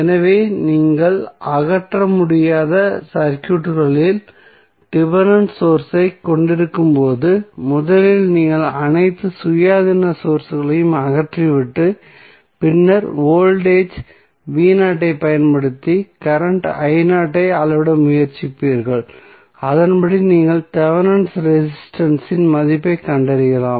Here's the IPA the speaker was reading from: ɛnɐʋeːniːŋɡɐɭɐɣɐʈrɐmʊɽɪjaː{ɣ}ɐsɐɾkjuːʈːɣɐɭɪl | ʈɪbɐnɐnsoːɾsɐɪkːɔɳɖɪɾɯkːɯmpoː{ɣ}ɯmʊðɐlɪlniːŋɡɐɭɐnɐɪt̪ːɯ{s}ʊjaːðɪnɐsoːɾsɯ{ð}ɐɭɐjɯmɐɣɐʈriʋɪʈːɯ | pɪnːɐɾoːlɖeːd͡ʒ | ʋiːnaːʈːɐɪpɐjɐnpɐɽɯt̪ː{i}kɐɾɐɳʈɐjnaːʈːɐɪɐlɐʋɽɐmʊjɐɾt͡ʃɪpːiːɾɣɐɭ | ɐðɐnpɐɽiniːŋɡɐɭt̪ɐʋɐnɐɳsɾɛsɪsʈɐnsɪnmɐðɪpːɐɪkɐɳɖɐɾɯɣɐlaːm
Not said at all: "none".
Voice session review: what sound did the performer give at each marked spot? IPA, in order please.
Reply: ð, ð, s, ɣ, i

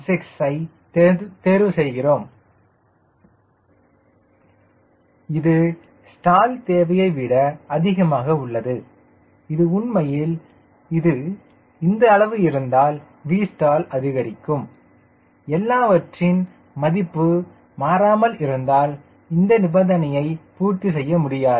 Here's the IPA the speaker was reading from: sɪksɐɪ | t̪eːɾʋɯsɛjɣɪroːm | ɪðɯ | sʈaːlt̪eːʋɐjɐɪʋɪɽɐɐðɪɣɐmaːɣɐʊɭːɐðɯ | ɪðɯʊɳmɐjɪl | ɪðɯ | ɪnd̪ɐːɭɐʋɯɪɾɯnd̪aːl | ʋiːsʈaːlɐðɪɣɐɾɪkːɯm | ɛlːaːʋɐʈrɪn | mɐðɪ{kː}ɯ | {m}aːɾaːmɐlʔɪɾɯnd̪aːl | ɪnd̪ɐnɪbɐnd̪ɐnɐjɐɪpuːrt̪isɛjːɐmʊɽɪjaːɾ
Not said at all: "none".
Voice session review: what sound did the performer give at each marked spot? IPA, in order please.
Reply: pː, m

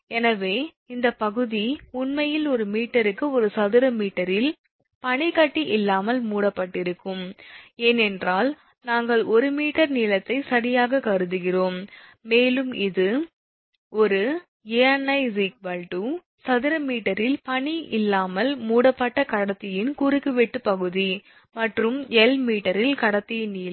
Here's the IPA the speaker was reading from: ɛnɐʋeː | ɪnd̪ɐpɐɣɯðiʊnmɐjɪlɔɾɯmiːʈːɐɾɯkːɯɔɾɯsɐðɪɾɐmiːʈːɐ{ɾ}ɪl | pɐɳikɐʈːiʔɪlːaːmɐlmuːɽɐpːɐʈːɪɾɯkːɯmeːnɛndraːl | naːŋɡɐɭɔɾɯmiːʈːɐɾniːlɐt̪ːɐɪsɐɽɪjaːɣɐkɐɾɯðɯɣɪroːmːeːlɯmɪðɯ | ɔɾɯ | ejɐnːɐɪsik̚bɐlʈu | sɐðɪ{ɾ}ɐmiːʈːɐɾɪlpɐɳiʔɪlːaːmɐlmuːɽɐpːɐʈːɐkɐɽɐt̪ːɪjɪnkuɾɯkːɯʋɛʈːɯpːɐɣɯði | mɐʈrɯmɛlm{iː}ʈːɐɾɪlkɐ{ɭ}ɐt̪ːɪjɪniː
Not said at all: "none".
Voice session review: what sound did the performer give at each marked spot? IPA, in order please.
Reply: ɾ, ɾ, iː, ɽ

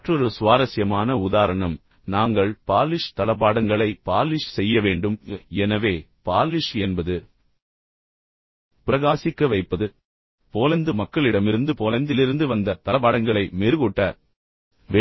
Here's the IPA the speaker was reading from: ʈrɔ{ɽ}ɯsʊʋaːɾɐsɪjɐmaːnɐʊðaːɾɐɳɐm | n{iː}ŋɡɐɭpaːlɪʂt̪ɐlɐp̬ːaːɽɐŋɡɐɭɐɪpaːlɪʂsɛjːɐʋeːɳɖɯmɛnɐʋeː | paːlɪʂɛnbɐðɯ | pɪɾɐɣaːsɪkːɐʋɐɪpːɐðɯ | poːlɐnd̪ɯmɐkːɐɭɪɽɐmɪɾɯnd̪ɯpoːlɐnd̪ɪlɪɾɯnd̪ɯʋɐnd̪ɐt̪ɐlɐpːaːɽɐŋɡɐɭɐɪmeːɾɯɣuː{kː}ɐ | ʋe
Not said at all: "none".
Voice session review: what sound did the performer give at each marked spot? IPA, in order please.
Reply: ɾ, aː, ʈː

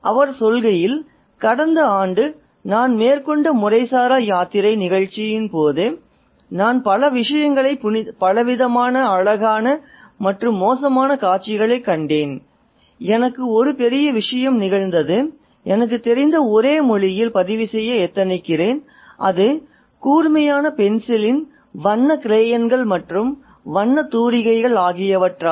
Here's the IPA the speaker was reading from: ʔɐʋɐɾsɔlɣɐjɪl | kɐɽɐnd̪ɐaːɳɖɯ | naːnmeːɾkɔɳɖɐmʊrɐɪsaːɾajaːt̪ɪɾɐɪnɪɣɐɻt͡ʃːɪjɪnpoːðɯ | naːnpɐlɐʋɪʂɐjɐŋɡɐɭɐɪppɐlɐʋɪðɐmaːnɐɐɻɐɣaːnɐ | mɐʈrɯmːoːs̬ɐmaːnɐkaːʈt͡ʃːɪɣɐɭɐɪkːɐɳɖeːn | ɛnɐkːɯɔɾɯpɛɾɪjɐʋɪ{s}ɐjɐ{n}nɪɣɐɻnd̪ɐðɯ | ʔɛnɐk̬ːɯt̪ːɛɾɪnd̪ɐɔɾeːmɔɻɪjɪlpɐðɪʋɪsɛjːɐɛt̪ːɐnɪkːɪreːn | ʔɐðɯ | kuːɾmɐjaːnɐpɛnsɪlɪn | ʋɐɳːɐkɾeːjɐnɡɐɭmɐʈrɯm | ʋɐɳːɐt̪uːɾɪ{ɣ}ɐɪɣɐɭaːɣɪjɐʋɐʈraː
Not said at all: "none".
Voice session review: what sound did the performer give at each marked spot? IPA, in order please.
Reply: ʂ, m, ɣ

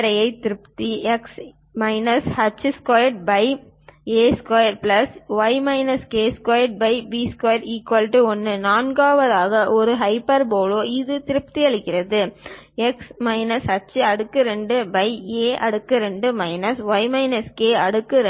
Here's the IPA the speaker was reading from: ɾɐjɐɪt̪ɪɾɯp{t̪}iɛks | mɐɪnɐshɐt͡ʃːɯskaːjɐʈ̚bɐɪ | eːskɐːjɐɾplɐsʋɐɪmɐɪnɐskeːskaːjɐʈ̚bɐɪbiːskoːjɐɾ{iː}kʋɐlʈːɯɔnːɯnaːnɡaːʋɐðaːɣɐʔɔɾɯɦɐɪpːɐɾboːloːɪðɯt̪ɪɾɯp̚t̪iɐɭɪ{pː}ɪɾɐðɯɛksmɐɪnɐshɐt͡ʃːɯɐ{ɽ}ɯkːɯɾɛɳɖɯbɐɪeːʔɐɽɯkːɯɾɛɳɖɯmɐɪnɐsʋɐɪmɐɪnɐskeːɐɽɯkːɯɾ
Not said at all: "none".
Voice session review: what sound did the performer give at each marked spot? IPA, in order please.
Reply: t̪, iː, kː, ɽ

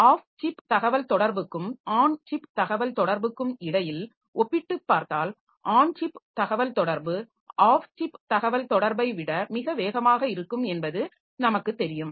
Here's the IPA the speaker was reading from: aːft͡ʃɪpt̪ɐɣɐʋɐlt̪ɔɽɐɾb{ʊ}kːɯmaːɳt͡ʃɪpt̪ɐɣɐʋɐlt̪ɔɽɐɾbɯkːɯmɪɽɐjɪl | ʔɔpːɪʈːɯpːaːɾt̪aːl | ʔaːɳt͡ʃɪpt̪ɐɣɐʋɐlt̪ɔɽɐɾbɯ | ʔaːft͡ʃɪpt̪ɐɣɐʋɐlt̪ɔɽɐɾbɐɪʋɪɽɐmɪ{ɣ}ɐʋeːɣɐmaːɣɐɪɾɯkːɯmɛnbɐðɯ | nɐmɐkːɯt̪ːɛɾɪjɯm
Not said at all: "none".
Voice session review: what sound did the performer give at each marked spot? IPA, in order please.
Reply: ɯ, ɣ

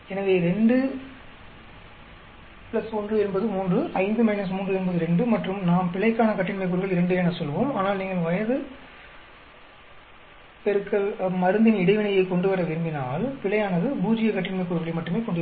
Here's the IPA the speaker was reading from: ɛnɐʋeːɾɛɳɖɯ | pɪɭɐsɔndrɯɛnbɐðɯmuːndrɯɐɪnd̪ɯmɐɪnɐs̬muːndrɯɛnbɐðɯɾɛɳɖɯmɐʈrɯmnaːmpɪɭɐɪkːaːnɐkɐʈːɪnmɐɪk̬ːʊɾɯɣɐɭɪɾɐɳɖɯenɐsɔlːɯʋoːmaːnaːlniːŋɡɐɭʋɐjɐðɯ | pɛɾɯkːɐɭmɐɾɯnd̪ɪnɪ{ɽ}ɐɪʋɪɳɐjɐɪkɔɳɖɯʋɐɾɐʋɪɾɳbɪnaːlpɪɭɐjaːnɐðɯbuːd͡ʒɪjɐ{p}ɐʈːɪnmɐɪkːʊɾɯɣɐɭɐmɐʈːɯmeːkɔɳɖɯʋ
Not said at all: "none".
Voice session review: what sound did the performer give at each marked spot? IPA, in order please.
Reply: ɽ, k

